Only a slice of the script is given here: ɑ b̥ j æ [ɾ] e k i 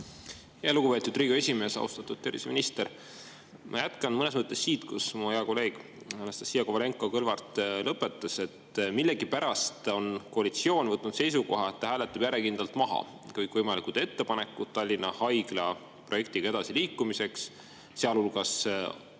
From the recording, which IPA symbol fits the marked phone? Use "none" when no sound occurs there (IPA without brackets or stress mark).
ɾ